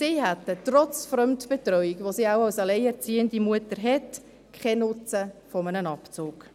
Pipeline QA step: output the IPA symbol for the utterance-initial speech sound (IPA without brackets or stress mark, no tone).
s